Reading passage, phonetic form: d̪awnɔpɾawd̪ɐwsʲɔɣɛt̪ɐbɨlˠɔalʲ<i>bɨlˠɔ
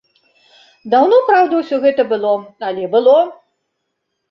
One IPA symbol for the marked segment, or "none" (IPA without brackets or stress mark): ɛ